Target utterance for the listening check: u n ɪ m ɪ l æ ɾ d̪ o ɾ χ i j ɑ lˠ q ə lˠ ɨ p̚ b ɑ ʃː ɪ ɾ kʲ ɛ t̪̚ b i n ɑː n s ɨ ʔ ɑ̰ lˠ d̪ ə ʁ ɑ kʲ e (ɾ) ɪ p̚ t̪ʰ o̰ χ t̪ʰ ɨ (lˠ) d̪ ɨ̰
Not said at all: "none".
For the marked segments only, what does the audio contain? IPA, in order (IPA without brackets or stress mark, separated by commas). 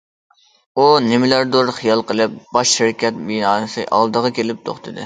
l, none